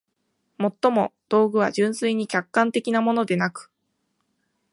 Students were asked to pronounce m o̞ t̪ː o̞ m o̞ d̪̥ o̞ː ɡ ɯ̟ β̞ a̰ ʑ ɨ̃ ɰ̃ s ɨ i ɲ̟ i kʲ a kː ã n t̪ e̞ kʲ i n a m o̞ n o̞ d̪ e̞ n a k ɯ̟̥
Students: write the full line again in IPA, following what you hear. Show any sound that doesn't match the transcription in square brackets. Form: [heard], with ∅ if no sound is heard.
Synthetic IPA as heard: m o̞ t̪ː o̞ m o̞ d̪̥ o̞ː ɡ ɯ̟ β̞ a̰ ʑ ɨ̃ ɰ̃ s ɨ i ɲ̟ i kʲ a kː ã n t̪ e̞ kʲ i n a m o̞ n o̞ d̪ e̞ n a k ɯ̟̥